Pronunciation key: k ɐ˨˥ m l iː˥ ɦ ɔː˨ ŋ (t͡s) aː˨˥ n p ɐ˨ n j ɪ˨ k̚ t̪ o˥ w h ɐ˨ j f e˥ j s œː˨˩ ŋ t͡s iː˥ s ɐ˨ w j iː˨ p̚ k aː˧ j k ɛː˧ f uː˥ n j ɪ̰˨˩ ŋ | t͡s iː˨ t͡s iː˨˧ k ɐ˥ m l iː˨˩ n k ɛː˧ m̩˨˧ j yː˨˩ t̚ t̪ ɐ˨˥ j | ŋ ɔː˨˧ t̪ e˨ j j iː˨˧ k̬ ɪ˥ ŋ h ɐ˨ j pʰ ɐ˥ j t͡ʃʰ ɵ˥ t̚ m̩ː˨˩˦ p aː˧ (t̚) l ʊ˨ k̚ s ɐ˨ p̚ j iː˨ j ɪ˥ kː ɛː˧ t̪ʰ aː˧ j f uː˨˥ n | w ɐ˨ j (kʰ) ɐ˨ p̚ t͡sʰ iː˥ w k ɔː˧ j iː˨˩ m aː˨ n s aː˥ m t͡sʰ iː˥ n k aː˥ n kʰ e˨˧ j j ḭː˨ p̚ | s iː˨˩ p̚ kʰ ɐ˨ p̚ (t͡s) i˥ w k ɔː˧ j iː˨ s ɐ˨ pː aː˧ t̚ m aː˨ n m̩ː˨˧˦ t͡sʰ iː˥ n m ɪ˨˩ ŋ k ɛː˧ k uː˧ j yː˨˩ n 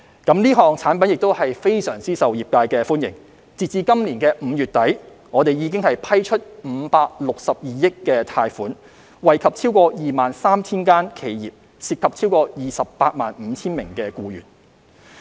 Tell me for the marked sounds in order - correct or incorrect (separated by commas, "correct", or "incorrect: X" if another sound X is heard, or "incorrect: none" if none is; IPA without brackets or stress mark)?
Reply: incorrect: t͡sʰ, incorrect: k̚, correct, incorrect: t͡sʰ